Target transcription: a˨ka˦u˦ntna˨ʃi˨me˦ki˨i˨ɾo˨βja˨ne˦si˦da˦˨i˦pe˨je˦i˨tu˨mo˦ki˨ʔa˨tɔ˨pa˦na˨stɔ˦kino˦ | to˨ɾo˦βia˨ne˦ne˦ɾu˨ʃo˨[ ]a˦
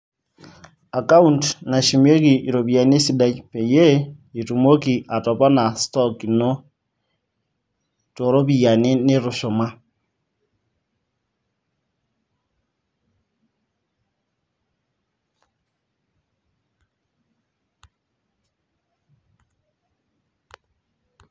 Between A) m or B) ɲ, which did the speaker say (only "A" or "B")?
A